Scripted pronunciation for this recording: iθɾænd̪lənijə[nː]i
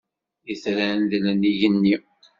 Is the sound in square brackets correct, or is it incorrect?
correct